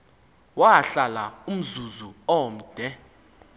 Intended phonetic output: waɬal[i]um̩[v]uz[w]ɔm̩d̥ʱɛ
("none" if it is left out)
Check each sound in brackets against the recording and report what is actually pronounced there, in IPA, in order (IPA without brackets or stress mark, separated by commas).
a, z, u